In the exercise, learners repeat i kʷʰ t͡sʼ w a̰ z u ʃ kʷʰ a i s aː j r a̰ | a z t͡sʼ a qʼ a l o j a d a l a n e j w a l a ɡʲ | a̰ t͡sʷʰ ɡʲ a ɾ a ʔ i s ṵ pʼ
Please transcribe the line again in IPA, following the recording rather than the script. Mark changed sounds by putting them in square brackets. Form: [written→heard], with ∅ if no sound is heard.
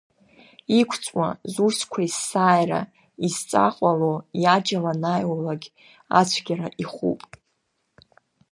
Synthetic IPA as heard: i kʷʰ t͡sʼ w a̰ z u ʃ kʷʰ a i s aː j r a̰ | [a→i] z t͡sʼ a qʼ a l o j a [d→d͡ʒ] a l a n [e→a] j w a l a ɡʲ | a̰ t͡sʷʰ ɡʲ a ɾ a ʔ i [s→χ] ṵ pʼ